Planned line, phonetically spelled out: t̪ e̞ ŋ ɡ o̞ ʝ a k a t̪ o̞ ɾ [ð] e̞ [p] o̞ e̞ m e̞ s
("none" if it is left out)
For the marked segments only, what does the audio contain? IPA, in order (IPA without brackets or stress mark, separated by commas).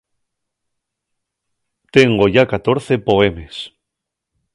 θ, p